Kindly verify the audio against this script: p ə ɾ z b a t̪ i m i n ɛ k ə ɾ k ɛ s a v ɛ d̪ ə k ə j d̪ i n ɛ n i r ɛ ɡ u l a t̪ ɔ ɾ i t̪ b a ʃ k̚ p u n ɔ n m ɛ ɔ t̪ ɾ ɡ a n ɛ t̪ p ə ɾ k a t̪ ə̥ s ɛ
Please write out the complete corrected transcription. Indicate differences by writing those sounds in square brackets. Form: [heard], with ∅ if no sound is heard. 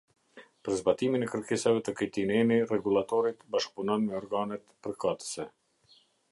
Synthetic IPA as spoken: p ə ɾ z b a t̪ i m i n ɛ k ə ɾ k ɛ s a v ɛ [t̪] ə k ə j [t̪] i n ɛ n i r ɛ ɡ u l a t̪ ɔ ɾ i t̪ b a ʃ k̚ p u n ɔ n m ɛ ɔ [∅] ɾ ɡ a n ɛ t̪ p ə ɾ k a t̪ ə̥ s ɛ